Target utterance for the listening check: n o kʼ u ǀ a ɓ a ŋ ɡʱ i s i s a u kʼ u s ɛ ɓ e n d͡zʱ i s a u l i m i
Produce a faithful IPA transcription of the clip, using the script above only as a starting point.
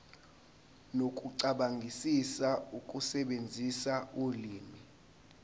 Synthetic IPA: n o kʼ u ǀ a ɓ a ŋ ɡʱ i s i s a u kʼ u s ɛ ɓ e n d͡zʱ i s a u l iː m i